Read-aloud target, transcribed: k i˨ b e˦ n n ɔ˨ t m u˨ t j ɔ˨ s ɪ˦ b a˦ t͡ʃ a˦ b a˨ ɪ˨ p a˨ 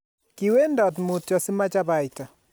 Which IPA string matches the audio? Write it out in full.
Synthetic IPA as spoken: k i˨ w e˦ n d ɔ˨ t m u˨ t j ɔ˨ s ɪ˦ m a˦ t͡ʃ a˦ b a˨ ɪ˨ t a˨